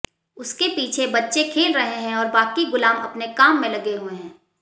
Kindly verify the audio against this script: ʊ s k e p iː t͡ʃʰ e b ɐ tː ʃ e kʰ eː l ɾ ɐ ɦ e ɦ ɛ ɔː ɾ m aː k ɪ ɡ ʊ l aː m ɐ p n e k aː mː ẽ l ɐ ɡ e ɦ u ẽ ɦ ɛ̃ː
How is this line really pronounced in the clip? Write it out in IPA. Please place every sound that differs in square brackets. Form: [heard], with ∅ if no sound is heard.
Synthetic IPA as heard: ʊ s k e p iː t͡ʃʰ e b ɐ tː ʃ e kʰ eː l ɾ ɐ ɦ e ɦ [ɛ̃] ɔː ɾ [b] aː k [i] ɡ ʊ l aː m ɐ p n e k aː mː ẽ l ɐ ɡ e ɦ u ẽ ɦ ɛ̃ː